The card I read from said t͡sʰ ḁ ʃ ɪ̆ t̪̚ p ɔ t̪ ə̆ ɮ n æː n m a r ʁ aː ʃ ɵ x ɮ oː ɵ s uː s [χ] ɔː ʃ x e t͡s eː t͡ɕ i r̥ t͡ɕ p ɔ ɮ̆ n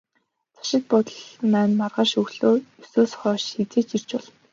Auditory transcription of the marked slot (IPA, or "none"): χ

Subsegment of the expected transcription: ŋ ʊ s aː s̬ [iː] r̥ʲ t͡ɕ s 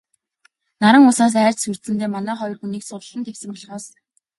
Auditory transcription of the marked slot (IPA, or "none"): æː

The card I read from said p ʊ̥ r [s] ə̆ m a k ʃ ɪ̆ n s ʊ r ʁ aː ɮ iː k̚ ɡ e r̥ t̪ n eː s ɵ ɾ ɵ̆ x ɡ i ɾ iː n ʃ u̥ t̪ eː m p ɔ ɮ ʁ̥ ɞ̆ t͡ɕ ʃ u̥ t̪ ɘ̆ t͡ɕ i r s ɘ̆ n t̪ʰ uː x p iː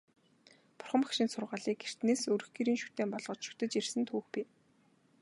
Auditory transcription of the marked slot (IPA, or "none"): χ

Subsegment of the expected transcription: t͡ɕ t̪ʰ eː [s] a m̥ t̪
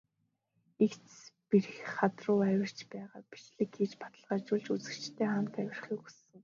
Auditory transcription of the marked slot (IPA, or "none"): χ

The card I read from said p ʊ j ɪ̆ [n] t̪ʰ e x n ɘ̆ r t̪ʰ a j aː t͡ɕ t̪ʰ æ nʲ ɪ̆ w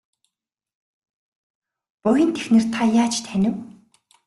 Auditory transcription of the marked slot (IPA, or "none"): n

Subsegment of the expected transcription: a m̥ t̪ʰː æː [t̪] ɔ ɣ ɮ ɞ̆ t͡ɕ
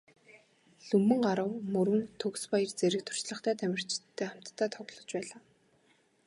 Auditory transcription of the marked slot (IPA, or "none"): t̪ʰ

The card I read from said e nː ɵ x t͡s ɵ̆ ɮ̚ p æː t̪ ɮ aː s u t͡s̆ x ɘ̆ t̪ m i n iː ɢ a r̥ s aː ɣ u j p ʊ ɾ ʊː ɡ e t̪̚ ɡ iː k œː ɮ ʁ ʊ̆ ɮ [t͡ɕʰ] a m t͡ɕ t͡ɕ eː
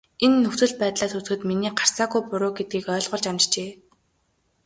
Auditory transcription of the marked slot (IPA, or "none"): t͡ɕ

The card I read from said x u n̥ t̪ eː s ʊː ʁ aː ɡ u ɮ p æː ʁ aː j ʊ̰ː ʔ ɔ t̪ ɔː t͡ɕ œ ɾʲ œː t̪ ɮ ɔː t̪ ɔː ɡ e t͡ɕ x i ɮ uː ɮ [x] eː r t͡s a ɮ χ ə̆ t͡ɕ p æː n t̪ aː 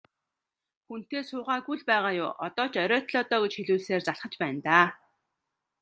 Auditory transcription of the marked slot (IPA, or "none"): s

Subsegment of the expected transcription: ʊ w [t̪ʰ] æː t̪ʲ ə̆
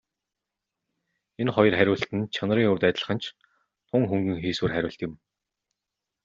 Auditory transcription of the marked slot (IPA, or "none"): t̪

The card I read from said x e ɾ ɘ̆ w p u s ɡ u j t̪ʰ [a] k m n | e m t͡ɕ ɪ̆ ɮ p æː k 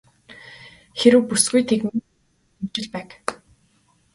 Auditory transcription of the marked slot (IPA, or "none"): e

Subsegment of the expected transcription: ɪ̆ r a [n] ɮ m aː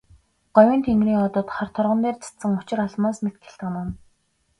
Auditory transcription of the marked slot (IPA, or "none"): none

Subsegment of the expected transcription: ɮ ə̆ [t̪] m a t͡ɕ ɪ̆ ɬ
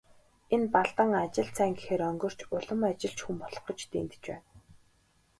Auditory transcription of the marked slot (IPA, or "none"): none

